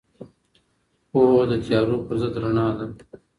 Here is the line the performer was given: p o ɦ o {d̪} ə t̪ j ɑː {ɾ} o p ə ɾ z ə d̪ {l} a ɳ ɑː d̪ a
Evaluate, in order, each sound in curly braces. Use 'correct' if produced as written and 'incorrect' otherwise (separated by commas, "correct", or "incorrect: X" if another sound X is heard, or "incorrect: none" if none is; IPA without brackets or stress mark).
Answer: correct, correct, incorrect: ɾ